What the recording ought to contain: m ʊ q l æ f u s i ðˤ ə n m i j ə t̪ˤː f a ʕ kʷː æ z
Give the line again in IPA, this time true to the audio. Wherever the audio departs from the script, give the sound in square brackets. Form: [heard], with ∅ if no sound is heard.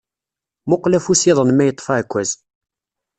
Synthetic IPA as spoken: m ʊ q l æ f u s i ðˤ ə n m [æ] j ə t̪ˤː f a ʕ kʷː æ z